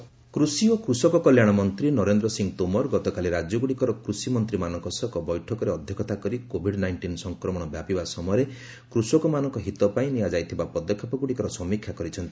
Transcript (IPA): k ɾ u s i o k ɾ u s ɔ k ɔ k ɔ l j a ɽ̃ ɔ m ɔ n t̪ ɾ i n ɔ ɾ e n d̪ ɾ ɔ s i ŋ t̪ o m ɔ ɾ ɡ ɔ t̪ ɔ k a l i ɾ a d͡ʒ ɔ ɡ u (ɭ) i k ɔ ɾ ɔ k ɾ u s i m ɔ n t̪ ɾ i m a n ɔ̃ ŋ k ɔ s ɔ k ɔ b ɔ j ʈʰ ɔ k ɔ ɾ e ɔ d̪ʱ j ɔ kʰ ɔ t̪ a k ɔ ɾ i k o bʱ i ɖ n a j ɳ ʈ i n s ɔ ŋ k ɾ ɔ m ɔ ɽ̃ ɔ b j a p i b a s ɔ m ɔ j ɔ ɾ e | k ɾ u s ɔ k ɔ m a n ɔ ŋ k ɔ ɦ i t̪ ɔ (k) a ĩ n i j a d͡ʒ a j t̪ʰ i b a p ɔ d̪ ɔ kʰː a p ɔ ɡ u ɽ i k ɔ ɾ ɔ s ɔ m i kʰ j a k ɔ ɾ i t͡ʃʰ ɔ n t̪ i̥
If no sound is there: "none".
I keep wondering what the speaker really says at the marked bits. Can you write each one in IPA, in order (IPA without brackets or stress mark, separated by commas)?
ɽ, p